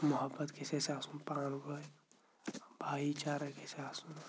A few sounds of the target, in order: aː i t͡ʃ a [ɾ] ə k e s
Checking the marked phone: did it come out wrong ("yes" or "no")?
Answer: no